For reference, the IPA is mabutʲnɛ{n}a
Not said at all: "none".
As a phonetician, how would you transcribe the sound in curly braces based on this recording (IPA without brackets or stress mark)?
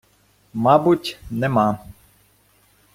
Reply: m